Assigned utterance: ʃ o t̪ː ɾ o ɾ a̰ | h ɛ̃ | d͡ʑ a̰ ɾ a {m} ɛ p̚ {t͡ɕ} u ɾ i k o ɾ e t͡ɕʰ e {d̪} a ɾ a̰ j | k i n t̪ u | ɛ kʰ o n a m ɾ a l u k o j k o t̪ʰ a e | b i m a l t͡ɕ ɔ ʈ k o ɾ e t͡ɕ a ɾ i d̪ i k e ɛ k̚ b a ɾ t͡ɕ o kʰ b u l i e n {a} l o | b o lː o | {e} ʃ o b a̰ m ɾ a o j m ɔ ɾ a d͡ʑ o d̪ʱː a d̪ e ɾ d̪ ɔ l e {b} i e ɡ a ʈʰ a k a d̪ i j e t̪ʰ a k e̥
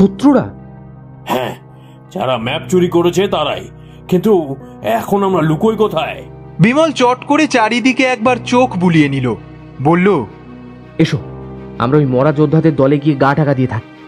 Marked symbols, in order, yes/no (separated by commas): yes, yes, no, no, yes, no